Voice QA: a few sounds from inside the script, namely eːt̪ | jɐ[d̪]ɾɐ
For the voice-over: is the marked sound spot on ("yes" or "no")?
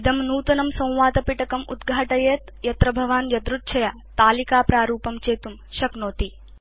no